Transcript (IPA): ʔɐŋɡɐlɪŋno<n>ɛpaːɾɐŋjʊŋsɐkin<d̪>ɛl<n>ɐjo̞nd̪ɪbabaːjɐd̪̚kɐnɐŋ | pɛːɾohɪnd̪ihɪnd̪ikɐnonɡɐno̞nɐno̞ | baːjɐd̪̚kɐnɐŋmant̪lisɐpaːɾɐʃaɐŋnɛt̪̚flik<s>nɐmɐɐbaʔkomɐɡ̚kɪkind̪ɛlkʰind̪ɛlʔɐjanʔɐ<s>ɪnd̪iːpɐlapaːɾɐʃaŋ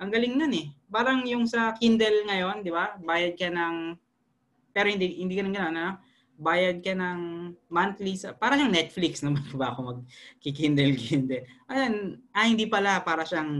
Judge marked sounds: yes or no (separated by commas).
yes, yes, no, yes, no